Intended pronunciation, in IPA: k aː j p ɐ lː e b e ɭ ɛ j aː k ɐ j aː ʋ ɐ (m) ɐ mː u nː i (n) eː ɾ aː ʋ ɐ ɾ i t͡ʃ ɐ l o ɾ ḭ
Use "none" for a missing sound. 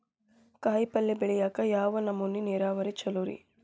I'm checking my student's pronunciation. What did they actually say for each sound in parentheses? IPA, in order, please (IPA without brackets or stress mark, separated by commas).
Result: n, n